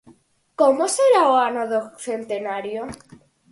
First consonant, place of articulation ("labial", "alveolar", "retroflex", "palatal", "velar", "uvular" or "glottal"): velar